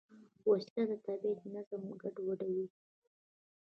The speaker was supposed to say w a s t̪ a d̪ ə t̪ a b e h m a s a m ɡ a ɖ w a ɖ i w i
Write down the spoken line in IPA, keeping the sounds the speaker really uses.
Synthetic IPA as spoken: w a s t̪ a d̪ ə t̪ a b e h n a z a m ɡ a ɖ w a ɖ a w i